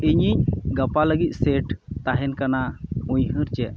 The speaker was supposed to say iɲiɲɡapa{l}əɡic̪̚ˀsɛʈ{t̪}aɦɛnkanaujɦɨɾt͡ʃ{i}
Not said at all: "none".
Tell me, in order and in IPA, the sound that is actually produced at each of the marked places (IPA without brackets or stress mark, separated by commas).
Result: l, t̪, ɛ